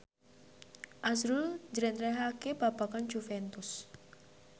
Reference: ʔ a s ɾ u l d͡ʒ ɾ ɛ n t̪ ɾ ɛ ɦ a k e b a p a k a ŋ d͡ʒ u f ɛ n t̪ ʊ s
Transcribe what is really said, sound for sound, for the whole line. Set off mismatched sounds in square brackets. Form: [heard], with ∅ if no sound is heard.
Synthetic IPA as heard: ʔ a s ɾ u l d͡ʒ ɾ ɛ n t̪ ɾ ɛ ɦ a k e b a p a k a [n] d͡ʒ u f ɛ n t̪ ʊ s